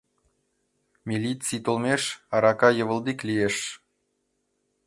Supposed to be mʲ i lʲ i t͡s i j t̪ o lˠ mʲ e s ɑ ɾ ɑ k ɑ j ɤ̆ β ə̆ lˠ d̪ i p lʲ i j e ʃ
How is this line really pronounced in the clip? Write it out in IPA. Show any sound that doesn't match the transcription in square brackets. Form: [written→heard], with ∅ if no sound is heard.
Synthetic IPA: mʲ i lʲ i t͡s i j t̪ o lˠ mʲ e [s→ʃ] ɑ ɾ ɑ k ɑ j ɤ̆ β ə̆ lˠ d̪ i [p→k] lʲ i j e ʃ